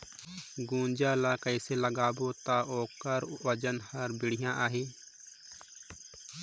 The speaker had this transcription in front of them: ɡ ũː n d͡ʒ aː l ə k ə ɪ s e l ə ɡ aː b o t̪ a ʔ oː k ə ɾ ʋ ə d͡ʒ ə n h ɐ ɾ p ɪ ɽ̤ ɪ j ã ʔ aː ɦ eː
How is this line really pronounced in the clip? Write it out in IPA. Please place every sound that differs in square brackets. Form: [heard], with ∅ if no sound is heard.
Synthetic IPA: ɡ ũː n d͡ʒ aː l [a] k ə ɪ s e l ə ɡ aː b o t̪ a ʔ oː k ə ɾ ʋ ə d͡ʒ ə n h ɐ ɾ [b] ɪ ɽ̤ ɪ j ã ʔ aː ɦ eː